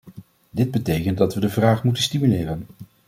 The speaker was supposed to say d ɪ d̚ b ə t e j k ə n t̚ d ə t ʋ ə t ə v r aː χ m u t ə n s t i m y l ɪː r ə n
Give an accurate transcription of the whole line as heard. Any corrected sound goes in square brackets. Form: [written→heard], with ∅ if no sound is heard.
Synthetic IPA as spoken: d ɪ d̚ b ə t e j k ə n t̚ d [ə→ɑ] t ʋ ə [t→d] ə v r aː χ m u t ə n s t i m y l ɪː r ə n